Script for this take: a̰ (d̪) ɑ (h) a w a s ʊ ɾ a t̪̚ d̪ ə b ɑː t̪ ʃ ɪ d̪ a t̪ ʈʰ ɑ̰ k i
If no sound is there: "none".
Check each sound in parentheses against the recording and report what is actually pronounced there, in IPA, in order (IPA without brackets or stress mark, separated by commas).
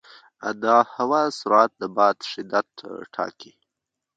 d̪, h